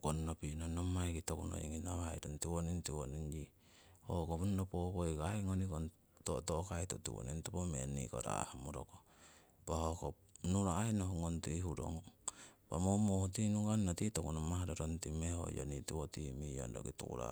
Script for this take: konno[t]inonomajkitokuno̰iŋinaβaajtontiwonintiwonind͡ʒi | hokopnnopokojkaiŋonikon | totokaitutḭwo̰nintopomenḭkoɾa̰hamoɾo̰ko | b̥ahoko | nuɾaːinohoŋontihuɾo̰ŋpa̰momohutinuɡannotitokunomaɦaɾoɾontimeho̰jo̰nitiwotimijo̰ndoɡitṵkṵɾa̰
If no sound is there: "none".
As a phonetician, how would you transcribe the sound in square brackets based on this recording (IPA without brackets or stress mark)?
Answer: p